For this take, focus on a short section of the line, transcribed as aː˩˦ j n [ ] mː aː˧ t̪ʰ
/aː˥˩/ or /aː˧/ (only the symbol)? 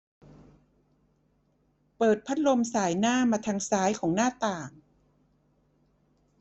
aː˥˩